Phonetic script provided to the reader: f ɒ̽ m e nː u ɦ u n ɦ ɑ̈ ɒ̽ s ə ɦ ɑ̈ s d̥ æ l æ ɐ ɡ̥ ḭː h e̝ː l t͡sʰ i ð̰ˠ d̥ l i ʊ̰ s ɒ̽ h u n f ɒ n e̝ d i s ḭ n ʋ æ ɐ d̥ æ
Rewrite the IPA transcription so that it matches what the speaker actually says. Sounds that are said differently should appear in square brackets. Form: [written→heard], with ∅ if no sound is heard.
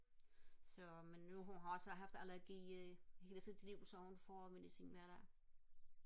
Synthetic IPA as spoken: [f→s] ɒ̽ m e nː u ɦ u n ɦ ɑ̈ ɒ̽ s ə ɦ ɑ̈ [s→f] d̥ æ l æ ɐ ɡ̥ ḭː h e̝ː l t͡sʰ i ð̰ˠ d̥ l i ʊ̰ s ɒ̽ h u n f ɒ [n→m] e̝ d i s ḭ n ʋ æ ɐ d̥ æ